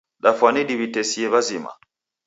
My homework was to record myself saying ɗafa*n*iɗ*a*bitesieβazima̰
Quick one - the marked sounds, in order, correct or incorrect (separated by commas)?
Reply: correct, incorrect